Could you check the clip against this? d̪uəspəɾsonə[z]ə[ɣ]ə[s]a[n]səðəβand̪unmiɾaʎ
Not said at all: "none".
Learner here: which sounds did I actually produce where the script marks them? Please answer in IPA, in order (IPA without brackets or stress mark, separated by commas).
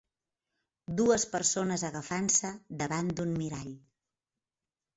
z, ɣ, f, n